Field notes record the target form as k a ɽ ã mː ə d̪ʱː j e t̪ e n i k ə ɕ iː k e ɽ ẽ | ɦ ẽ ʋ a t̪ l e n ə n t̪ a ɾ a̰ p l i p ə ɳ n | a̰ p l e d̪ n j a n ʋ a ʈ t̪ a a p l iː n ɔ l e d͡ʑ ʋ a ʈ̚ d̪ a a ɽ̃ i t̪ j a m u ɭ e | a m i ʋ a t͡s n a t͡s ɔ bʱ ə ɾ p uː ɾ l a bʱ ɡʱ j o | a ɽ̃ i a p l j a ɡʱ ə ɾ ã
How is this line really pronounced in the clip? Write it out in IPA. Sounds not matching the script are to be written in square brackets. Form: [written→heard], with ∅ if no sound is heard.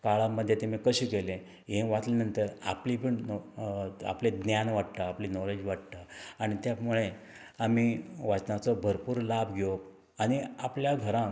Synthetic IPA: k a [ɽ→ɭ] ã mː ə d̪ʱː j e t̪ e [n→m] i k ə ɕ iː k e [ɽ→l] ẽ | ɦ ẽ ʋ a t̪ l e n ə n t̪ [a→ə] ɾ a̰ p l i p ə ɳ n | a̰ p l e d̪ n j a n ʋ a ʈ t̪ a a p l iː n ɔ l e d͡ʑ ʋ a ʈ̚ [d̪→t̪] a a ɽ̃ i t̪ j a m u ɭ e | a m i ʋ a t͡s n a t͡s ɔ bʱ ə ɾ p uː ɾ l a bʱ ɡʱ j o | a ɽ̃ i a p l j a ɡʱ ə ɾ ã